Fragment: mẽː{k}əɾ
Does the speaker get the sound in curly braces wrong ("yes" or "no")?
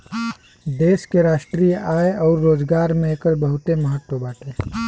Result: no